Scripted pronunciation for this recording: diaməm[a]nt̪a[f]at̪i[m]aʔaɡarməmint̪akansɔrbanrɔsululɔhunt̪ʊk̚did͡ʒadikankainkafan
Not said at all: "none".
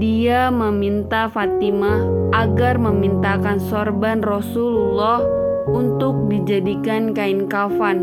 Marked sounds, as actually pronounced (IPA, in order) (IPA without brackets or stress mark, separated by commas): i, f, m